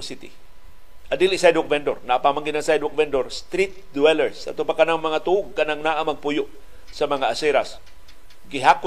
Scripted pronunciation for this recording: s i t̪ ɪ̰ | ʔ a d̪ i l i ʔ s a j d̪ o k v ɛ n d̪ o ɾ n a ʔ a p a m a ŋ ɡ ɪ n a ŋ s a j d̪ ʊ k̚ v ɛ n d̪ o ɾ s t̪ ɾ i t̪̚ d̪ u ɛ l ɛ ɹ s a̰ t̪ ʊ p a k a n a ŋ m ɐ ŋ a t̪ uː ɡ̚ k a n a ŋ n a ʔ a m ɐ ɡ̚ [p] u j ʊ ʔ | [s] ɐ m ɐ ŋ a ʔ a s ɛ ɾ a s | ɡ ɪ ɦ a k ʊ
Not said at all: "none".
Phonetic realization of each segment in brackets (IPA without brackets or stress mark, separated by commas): p, s